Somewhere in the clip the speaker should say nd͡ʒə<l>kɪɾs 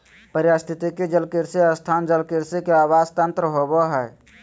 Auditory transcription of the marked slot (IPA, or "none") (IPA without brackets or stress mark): l